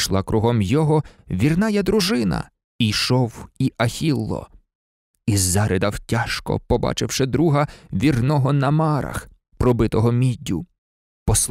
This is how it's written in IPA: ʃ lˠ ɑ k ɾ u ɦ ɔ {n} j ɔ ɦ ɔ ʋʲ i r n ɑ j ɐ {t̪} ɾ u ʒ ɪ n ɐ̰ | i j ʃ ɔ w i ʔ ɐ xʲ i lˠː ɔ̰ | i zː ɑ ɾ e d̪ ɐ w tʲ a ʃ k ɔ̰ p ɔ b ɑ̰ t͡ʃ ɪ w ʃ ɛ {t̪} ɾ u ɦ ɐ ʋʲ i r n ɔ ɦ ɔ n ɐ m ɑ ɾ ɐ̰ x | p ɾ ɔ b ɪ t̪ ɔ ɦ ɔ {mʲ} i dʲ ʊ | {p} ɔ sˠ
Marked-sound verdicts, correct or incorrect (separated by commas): incorrect, incorrect, incorrect, correct, correct